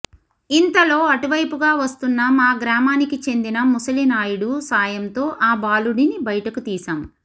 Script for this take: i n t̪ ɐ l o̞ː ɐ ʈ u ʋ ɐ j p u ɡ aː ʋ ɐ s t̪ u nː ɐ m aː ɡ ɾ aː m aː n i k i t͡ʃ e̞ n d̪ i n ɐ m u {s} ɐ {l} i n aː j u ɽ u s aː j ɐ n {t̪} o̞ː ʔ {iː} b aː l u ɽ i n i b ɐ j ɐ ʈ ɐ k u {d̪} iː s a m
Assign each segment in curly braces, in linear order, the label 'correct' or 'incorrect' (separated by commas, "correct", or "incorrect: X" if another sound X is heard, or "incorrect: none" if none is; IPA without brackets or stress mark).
correct, correct, correct, incorrect: aː, incorrect: t̪